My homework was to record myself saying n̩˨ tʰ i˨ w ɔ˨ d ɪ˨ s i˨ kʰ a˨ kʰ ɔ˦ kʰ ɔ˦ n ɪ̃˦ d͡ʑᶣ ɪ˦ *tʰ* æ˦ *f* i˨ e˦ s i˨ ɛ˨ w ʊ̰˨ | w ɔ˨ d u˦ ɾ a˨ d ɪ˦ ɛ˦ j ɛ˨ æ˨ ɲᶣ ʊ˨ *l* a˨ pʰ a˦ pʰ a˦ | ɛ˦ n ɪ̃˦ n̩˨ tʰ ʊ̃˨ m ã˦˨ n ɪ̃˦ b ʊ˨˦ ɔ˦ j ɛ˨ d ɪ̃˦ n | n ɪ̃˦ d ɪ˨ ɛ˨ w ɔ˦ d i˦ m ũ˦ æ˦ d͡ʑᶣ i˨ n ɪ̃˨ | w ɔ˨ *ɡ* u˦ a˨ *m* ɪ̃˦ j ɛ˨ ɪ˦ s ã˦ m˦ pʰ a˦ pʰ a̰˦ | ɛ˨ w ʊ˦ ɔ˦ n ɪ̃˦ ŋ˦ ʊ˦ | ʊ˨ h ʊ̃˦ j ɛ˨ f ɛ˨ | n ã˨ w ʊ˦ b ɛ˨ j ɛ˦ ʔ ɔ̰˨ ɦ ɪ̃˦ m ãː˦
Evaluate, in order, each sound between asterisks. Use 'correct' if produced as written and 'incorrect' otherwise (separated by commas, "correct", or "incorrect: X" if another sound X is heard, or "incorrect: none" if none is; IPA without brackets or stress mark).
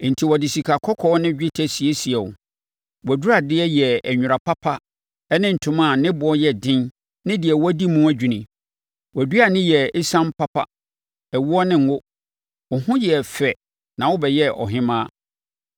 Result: correct, incorrect: s, incorrect: ɾ, incorrect: d, incorrect: n